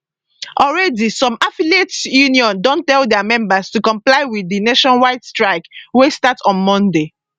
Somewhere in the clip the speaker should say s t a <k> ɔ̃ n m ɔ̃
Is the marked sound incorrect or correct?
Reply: incorrect